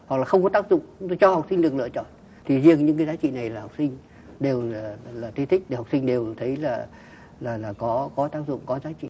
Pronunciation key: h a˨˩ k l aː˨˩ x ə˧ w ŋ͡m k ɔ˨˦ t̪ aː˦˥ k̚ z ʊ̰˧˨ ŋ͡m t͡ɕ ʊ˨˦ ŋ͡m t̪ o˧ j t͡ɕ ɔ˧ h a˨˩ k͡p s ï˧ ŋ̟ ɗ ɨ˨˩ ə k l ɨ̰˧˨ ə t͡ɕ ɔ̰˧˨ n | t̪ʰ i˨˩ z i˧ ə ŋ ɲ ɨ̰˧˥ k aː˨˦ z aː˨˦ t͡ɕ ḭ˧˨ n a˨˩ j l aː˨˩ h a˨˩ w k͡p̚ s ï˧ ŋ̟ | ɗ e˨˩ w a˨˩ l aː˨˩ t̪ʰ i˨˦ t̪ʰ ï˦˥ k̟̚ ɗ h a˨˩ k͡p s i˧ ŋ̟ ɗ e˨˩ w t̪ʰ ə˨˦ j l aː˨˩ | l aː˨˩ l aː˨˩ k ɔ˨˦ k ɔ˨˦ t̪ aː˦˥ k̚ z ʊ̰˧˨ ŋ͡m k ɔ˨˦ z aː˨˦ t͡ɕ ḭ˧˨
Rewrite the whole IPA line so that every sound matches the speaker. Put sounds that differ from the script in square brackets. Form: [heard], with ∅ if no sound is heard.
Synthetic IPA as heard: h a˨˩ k l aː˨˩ x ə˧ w ŋ͡m k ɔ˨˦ t̪ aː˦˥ k̚ z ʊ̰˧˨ ŋ͡m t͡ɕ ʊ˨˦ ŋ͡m t̪ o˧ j t͡ɕ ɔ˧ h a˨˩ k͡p s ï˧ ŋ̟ ɗ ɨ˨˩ ə k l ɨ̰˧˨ ə t͡ɕ ɔ̰˧˨ n | t̪ʰ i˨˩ z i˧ ə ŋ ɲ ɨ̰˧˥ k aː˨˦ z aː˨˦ t͡ɕ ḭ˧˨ n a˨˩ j l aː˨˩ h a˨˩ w k͡p̚ s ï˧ ŋ̟ | ɗ e˨˩ w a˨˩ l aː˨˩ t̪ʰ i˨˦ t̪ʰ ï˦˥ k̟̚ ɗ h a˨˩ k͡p s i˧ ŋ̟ ɗ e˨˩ w t̪ʰ ə˨˦ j l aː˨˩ | l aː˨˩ l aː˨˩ k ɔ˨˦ k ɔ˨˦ t̪ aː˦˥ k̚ z ʊ̰˧˨ ŋ͡m k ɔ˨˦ z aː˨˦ t͡ɕ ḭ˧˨